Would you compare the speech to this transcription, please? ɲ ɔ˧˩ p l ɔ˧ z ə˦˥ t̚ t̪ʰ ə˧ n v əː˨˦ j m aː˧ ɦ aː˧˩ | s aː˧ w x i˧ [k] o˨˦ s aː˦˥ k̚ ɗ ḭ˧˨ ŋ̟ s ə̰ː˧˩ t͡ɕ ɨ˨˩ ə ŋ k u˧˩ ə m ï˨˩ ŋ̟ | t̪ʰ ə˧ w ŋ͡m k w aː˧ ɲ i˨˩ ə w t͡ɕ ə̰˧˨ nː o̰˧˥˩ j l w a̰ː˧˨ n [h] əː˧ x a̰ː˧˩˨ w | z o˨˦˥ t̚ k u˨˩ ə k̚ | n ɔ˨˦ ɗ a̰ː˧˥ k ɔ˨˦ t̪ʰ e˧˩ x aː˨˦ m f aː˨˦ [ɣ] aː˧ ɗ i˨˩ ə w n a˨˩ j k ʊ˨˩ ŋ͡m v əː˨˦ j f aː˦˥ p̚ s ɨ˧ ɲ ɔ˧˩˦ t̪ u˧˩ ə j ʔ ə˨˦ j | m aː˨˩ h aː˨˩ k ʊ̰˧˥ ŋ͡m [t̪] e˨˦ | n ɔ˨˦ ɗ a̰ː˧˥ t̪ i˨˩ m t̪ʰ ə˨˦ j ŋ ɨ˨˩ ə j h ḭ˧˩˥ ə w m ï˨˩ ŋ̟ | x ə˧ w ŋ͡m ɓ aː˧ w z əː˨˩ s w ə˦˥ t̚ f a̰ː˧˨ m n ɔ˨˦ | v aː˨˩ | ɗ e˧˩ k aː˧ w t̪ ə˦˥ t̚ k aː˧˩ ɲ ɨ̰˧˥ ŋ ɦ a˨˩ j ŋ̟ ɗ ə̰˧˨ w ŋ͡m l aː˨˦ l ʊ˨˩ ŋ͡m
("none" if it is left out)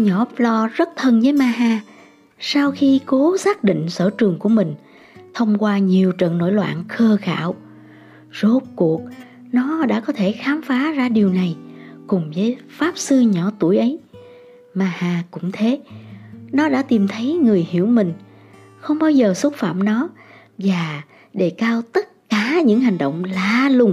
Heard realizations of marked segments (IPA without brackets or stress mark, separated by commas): k, x, z, t̪ʰ